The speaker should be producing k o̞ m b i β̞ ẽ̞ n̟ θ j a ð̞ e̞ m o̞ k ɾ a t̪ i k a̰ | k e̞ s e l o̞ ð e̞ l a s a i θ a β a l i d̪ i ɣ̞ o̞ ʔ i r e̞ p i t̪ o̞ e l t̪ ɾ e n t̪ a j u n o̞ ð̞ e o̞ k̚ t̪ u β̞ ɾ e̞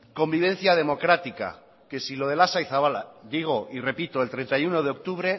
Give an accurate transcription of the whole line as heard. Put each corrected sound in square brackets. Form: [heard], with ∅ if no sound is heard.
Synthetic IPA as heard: k o̞ m b i β̞ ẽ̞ n̟ θ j a ð̞ e̞ m o̞ k ɾ a t̪ i k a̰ | k e̞ s [i] l o̞ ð e̞ l a s a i θ a β a l [a] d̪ i ɣ̞ o̞ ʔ i r e̞ p i t̪ o̞ e l t̪ ɾ e n t̪ a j u n o̞ ð̞ e o̞ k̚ t̪ u β̞ ɾ e̞